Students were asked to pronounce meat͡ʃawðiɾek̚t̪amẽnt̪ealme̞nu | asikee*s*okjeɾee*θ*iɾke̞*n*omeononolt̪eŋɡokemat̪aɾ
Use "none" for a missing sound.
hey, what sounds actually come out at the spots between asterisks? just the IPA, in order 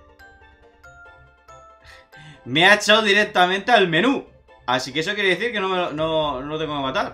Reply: s, θ, n

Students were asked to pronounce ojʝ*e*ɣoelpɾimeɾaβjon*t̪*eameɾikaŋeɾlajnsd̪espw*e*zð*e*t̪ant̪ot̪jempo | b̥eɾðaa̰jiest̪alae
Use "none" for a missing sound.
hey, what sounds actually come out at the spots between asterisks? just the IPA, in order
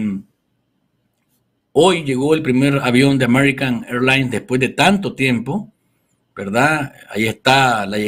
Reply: e, d̪, e, e

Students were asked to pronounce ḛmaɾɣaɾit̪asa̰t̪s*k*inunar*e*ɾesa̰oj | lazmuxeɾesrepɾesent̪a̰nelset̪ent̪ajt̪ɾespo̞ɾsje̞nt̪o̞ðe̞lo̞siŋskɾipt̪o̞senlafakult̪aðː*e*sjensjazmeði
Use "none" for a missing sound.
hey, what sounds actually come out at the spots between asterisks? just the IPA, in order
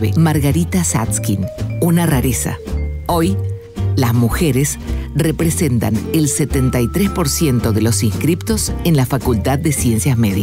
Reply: k, a, e

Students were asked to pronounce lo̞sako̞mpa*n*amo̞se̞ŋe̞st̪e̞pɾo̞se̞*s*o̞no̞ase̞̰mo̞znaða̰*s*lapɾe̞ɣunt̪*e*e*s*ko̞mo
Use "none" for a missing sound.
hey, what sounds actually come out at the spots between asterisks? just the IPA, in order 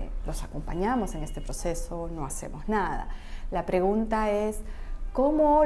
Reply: ɲ, s, none, a, s

